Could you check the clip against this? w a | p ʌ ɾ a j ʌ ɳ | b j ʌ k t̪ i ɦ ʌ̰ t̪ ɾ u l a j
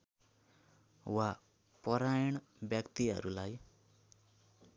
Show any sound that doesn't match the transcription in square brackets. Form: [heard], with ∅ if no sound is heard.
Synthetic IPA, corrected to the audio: w a | p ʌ ɾ a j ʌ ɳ | b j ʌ k t̪ i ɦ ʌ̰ [∅] ɾ u l a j